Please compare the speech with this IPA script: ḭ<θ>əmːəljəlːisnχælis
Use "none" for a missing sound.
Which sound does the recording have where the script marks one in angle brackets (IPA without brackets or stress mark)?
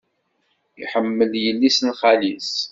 ħ